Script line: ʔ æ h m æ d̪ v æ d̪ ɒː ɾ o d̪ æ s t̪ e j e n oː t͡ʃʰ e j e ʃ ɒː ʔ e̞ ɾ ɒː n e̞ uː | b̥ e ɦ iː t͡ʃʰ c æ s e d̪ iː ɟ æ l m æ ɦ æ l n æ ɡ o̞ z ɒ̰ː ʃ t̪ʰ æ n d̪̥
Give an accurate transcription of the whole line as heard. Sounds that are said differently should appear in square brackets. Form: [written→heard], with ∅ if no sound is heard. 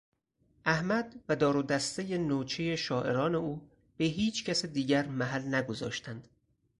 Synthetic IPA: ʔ æ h m æ d̪ v æ d̪ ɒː ɾ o d̪ æ s t̪ e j e n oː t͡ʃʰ e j e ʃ ɒː ʔ e̞ ɾ ɒː n e̞ uː | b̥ e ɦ iː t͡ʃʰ c æ s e d̪ iː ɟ æ [l→ɾ] m æ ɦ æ l n æ ɡ o̞ z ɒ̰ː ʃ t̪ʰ æ n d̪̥